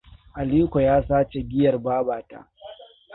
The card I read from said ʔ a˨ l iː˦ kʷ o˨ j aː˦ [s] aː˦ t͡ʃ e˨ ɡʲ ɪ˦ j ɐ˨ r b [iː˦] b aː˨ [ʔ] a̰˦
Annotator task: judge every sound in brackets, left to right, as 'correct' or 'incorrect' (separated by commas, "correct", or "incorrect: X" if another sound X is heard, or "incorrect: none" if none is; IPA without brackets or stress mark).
correct, incorrect: aː˦, incorrect: t